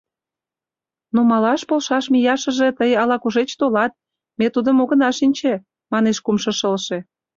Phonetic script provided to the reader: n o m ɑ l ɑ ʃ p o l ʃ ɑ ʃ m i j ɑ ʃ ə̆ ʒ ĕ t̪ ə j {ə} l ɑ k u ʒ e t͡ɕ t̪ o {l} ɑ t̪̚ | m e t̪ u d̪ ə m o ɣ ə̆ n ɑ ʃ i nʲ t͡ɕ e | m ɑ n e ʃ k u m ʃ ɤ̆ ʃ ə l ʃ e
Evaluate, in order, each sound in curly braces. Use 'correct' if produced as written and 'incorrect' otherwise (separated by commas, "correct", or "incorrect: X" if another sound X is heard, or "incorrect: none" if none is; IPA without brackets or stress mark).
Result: incorrect: ɑ, correct